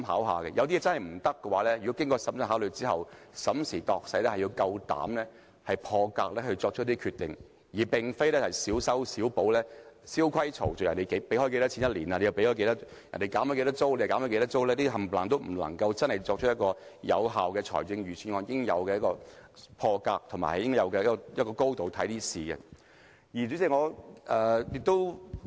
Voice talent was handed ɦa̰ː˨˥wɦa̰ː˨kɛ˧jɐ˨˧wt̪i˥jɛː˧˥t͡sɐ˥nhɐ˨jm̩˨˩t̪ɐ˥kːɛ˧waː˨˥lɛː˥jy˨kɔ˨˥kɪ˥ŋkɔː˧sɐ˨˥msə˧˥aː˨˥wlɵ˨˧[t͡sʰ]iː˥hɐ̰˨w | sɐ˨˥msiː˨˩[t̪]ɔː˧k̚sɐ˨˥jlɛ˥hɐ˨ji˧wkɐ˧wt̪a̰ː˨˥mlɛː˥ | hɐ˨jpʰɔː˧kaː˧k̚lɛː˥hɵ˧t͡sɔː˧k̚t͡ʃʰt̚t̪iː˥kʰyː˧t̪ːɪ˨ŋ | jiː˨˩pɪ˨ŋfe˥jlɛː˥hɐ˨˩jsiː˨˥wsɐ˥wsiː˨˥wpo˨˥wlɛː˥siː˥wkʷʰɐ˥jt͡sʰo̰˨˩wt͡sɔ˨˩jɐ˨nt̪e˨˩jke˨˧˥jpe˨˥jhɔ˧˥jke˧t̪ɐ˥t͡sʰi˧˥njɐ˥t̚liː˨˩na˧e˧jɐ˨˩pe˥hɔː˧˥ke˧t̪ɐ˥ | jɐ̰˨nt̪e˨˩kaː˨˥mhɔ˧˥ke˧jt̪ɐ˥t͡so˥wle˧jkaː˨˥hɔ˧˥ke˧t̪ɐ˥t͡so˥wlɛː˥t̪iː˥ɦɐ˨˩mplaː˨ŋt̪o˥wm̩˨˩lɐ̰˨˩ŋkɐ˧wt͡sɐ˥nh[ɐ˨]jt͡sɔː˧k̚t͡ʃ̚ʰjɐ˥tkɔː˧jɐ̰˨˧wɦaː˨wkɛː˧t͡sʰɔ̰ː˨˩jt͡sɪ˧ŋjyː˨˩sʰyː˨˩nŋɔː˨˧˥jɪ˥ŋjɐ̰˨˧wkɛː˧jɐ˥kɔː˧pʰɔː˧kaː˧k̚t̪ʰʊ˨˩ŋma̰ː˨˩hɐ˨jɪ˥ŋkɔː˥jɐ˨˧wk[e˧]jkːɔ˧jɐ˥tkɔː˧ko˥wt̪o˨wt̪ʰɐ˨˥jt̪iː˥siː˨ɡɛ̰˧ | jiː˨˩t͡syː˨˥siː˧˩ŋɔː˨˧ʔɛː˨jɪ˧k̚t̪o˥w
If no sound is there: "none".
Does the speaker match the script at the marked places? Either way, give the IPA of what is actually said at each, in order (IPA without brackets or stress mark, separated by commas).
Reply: t͡s, t̪, ɐ˨, ɛ˧